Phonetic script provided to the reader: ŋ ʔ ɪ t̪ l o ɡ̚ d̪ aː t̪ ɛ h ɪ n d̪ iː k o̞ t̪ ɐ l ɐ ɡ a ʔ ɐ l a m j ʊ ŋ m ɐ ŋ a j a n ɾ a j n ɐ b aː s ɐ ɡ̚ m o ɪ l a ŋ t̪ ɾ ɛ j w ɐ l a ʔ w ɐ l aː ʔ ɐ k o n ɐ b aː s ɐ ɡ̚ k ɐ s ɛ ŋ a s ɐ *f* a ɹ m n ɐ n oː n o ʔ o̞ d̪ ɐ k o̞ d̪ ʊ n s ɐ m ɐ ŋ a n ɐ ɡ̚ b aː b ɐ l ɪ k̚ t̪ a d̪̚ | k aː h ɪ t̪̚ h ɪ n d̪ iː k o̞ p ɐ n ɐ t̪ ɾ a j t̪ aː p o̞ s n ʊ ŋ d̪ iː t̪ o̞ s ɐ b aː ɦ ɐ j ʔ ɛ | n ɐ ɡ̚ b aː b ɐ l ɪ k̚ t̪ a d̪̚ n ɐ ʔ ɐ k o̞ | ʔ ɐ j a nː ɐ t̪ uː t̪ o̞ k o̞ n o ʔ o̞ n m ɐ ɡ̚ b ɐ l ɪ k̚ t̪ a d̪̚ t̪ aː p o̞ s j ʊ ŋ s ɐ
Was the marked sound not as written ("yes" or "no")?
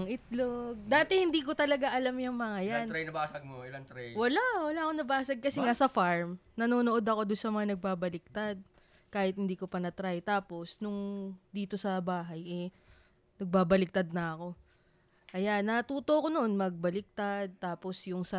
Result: no